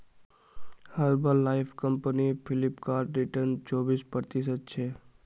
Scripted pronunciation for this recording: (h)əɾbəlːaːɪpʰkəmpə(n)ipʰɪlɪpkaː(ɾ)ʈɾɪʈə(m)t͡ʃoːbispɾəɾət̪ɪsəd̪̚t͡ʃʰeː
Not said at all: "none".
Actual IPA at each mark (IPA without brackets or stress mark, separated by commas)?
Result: h, n, ɾ, n